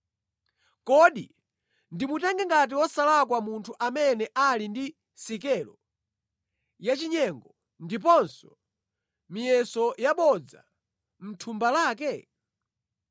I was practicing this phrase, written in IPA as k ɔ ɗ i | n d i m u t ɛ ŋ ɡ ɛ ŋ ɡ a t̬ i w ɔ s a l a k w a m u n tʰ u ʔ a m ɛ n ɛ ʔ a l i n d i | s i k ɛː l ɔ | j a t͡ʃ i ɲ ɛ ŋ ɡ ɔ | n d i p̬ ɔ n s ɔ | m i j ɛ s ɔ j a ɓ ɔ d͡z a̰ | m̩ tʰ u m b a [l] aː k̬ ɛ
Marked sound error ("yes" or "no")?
no